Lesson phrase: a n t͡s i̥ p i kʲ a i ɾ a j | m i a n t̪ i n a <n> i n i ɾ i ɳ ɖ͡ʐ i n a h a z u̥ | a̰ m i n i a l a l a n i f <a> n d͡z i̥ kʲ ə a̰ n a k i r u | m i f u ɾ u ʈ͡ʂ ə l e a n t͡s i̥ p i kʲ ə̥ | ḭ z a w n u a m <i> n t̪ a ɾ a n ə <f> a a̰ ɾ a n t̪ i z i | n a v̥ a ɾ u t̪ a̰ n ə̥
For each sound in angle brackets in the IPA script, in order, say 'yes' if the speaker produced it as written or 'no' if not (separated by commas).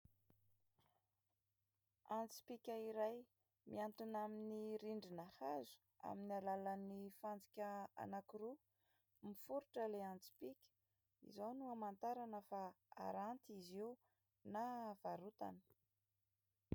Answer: no, yes, no, yes